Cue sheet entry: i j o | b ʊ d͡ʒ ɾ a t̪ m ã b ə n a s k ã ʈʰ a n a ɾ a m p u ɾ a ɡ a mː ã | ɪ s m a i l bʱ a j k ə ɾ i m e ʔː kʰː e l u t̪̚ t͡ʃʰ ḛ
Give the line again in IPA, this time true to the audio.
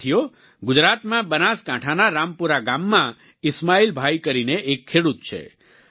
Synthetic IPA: i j o | ɡ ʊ d͡ʒ ɾ a t̪ m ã b ə n a s k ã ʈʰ a n a ɾ a m p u ɾ a ɡ a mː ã | ɪ s m a i l bʱ a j k ə ɾ i n e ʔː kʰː e ɽ u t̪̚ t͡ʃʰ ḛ